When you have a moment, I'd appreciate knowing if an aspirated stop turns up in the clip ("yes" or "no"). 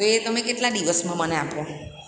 no